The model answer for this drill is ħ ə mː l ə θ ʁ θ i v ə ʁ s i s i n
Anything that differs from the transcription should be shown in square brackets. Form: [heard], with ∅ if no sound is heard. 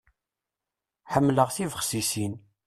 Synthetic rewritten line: ħ ə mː l ə [∅] ʁ θ i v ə [χ] s i s i n